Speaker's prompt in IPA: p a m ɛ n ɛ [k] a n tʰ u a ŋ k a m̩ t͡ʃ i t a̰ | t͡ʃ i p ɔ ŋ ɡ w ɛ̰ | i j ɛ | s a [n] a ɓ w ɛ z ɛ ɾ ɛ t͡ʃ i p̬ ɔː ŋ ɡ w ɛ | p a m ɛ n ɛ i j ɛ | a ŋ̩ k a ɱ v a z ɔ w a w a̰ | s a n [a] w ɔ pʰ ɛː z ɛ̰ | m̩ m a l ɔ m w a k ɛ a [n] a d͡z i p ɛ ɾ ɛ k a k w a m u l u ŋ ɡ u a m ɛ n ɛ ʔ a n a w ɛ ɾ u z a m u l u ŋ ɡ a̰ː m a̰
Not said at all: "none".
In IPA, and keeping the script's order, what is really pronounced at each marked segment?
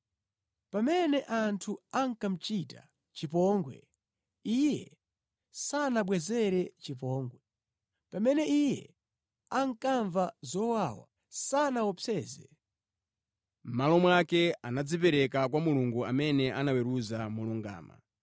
ʔ, n, a, n

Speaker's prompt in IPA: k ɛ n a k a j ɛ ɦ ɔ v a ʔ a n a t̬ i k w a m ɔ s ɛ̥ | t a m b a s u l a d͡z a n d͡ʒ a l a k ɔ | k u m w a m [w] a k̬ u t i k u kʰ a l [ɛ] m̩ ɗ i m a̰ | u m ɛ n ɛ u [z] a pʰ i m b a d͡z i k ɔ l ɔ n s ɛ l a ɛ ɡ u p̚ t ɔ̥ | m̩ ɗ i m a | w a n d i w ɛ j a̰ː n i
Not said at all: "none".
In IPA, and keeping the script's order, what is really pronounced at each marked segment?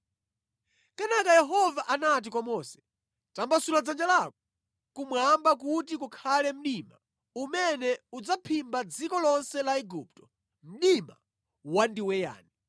b, ɛ, d͡z

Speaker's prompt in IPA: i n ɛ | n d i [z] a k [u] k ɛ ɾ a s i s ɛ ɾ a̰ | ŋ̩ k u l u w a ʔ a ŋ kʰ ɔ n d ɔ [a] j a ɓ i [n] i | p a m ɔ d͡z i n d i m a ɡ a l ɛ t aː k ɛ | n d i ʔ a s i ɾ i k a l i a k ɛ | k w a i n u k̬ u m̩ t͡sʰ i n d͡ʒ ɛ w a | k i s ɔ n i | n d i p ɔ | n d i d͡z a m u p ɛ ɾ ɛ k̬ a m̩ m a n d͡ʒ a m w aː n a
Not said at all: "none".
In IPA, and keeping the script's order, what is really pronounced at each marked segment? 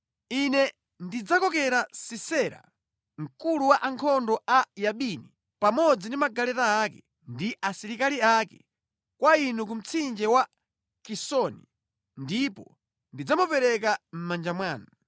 d͡z, ɔ, a, n

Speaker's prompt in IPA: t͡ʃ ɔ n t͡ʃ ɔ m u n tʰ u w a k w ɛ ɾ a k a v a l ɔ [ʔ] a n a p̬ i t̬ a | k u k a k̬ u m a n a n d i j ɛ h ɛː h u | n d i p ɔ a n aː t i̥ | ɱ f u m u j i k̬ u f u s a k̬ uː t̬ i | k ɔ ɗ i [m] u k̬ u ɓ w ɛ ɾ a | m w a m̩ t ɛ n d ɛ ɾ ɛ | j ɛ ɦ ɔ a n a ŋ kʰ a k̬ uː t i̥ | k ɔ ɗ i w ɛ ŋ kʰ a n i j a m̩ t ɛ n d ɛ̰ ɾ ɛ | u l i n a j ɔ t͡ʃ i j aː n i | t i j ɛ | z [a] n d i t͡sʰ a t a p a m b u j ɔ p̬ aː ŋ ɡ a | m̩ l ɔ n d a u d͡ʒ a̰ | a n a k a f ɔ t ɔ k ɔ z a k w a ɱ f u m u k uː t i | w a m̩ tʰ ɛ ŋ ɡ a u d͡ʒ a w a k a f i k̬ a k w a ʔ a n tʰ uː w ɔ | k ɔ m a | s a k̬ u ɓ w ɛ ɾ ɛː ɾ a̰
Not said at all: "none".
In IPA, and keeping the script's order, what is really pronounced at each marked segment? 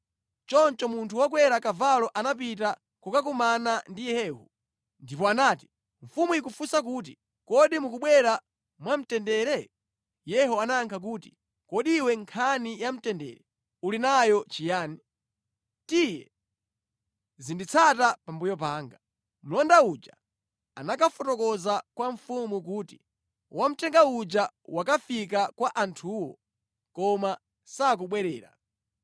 ʔ, m, i

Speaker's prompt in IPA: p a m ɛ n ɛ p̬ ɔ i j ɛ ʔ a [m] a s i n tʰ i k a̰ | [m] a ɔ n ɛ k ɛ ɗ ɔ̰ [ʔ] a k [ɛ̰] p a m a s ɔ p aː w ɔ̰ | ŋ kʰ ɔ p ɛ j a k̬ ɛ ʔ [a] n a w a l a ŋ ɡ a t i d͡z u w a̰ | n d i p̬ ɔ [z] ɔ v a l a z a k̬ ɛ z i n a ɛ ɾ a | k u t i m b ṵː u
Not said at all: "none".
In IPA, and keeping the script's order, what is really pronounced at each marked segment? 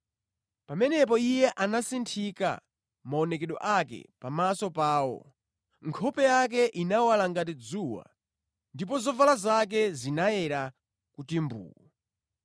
n, m, ʔ, ɛ̰, i, z

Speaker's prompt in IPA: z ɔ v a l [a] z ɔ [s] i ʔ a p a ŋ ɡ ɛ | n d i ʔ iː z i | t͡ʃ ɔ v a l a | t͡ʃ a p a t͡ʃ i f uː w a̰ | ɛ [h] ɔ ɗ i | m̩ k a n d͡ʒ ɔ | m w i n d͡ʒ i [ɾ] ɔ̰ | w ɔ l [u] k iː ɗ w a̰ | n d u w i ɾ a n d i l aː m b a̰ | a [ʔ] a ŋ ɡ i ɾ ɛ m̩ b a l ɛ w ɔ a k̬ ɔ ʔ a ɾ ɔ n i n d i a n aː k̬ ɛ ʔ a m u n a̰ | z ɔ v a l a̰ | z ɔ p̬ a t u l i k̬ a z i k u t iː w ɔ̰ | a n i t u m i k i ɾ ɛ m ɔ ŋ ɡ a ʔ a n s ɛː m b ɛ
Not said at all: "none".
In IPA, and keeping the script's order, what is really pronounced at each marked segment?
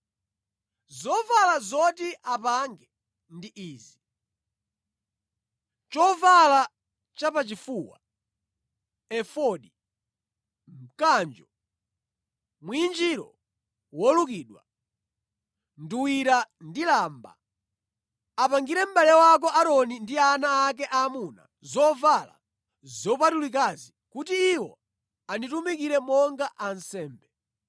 a, t, f, ɾ, u, p

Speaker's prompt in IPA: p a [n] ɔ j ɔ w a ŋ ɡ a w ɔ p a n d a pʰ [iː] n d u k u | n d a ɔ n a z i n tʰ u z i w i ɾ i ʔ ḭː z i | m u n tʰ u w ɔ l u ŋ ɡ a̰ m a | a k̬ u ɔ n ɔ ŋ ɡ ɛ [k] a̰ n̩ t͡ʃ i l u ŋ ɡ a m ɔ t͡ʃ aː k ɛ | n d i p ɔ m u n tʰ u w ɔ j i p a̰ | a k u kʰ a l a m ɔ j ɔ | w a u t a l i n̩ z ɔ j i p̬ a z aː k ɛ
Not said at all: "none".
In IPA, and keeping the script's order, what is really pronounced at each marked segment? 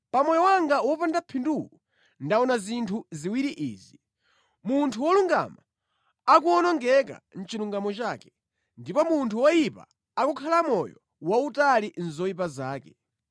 m, i, k

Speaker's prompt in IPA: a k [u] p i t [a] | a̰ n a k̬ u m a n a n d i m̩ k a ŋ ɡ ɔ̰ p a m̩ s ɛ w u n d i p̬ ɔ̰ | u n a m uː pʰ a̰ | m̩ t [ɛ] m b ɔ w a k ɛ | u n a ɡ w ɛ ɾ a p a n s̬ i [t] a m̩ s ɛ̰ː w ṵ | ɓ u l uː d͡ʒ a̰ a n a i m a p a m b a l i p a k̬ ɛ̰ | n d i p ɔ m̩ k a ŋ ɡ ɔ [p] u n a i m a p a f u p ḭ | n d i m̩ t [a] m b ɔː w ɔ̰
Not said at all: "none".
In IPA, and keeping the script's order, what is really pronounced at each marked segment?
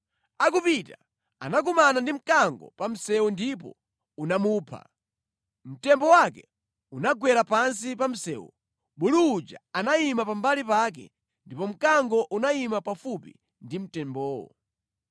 u, a, ɛ, p, ʔ, ɛ

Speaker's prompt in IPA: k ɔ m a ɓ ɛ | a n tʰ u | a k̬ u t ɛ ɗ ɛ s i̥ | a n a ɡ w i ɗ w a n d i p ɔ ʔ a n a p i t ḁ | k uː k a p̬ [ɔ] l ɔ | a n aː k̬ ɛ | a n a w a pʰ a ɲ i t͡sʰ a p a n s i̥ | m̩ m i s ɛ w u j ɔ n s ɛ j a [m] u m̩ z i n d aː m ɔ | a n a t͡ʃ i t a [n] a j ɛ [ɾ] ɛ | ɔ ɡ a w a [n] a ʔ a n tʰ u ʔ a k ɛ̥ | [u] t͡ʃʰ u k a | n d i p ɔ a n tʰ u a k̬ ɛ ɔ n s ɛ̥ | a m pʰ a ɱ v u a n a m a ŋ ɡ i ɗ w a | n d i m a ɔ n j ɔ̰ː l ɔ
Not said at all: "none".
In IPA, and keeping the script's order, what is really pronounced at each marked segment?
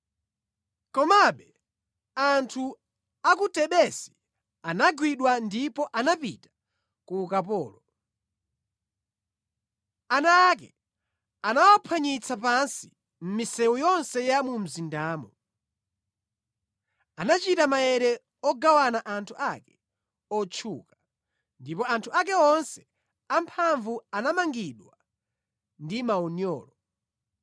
ɔː, m, m, ɾ, n, ɔ

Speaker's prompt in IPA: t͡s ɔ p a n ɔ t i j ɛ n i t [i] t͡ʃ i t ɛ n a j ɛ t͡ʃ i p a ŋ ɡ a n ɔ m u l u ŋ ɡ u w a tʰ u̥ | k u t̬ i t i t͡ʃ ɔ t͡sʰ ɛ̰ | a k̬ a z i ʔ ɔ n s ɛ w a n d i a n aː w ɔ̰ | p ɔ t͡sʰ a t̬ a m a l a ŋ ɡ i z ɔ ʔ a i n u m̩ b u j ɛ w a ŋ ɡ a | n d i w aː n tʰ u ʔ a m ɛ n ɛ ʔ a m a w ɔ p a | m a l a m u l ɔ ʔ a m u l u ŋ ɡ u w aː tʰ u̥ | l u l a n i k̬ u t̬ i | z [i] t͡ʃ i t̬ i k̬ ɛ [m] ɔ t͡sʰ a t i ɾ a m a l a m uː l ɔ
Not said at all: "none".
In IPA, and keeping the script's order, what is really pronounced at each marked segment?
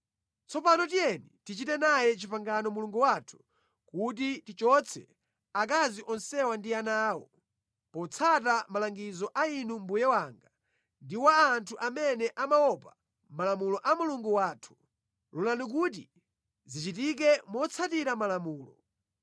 i, i, m

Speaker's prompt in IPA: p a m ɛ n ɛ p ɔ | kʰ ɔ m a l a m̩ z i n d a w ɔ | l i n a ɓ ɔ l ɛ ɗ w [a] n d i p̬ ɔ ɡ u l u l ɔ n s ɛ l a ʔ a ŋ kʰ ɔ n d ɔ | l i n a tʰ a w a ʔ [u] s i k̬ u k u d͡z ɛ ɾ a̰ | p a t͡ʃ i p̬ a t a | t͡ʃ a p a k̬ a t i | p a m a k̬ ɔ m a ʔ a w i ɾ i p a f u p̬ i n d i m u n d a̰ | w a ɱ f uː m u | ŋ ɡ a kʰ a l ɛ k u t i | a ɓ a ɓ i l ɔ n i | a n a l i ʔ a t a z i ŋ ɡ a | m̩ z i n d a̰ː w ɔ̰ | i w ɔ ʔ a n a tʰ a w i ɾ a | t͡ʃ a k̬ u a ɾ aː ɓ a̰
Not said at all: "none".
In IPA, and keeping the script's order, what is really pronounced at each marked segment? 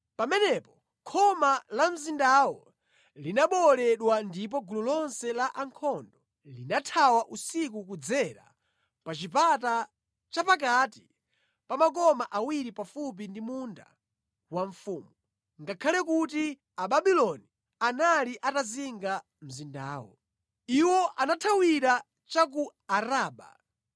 a, u

